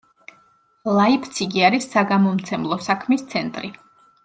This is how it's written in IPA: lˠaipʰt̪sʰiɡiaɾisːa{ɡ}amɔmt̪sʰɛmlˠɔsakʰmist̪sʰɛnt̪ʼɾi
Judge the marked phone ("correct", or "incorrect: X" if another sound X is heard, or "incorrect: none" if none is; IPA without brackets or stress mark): correct